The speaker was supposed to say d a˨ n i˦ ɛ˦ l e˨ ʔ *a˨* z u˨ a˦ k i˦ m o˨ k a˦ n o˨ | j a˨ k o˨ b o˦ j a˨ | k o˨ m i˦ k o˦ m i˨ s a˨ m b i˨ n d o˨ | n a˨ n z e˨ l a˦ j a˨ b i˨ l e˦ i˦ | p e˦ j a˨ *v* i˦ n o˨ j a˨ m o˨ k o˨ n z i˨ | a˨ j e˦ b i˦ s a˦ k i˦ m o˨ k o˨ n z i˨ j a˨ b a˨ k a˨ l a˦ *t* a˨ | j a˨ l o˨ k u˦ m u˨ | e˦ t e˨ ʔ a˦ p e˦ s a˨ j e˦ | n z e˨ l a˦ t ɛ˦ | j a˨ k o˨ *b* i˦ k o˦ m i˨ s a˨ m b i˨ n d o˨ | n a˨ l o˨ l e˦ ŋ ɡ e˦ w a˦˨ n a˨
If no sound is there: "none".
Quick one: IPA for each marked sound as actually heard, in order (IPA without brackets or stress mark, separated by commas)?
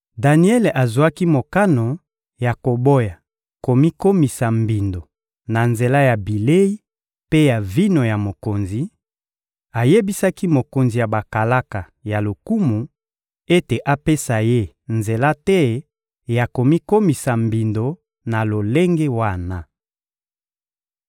a˨, v, k, m